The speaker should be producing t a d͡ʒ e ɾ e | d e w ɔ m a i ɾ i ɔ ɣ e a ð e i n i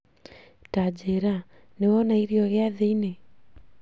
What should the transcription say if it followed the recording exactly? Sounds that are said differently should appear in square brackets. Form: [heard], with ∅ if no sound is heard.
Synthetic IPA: t a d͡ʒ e ɾ [a] | [n] e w ɔ [n] a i ɾ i ɔ ɣ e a ð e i n [e]